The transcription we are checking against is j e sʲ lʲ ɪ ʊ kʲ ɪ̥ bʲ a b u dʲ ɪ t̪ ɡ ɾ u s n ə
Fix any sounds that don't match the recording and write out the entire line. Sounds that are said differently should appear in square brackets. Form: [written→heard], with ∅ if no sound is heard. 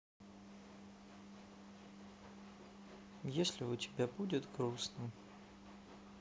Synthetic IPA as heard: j e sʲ lʲ ɪ ʊ [kʲ→tʲ] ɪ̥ bʲ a b u dʲ ɪ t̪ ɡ ɾ u s n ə

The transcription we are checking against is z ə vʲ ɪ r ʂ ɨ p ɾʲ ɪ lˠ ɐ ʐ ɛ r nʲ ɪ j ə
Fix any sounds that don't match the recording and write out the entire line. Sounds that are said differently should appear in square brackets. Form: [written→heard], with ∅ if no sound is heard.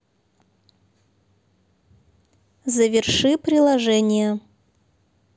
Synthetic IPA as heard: z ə vʲ ɪ r ʂ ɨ p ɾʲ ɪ lˠ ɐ ʐ ɛ [r→∅] nʲ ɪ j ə

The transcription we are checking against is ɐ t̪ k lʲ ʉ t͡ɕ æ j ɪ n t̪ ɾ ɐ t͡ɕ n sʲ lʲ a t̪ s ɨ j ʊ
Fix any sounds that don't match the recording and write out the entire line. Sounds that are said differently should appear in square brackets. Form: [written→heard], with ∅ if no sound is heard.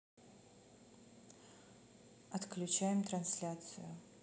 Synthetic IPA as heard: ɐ t̪ k lʲ ʉ t͡ɕ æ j ɪ [n→m] t̪ ɾ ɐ [t͡ɕ→∅] n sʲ lʲ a t̪ s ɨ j ʊ

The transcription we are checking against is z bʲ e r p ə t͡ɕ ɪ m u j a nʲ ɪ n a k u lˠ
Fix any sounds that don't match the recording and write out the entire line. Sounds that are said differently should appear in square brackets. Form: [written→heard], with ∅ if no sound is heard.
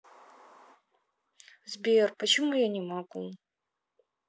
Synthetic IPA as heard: z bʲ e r p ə t͡ɕ ɪ m u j a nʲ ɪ [n→m] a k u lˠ

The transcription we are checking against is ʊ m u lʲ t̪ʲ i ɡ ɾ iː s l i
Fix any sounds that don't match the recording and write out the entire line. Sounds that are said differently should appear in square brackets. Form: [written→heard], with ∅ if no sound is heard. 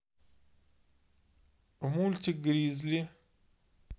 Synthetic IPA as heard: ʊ m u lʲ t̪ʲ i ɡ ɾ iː [s→z] l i

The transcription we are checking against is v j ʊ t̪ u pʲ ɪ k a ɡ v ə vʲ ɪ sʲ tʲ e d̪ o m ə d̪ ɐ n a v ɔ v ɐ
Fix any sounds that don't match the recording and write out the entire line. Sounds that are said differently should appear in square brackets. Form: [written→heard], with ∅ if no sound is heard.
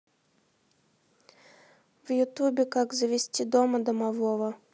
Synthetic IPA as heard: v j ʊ t̪ u [pʲ→bʲ] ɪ k a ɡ [v→z] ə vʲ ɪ sʲ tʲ [e→i] d̪ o m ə d̪ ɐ [n→m] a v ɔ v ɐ

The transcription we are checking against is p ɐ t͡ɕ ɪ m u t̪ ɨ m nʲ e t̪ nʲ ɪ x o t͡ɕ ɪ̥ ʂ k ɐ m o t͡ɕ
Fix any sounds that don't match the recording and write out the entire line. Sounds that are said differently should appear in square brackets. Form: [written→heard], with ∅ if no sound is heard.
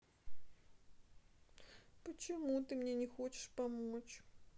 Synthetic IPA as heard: p [ɐ→ə] t͡ɕ ɪ m u t̪ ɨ m nʲ e [t̪→∅] nʲ ɪ x o t͡ɕ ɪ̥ ʂ [k→p] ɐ m o t͡ɕ

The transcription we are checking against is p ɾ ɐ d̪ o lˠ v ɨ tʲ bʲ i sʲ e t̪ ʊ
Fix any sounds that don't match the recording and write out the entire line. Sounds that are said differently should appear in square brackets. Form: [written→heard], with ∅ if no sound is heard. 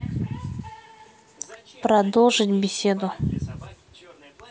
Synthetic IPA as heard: p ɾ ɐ d̪ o lˠ [v→ʐ] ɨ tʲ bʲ [i→ɪ] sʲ e [t̪→d̪] ʊ

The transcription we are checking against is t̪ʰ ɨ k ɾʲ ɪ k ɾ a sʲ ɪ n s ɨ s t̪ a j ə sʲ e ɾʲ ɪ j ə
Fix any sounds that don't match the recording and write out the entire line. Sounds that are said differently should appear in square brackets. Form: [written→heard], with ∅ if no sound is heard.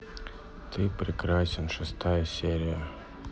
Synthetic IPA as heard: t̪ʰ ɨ [k→p] ɾʲ ɪ k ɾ a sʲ ɪ n [s→ʂ] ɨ s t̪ a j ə sʲ e ɾʲ ɪ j ə

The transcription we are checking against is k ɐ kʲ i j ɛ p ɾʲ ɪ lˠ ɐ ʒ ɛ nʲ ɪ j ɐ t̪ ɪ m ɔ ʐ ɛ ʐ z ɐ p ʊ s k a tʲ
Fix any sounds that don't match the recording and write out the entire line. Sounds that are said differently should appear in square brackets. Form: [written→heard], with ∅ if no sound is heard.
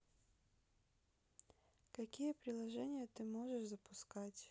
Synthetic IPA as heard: k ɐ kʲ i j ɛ p ɾʲ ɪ lˠ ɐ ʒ ɛ nʲ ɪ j ɐ t̪ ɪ m ɔ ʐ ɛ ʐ z ɐ p ʊ s k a tʲ

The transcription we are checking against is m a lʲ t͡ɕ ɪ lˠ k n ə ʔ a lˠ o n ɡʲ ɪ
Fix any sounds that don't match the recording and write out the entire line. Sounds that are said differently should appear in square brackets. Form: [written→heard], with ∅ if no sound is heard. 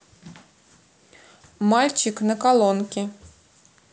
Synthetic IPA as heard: m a lʲ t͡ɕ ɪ [lˠ→∅] k n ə [ʔ→k] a lˠ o n [ɡʲ→kʲ] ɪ

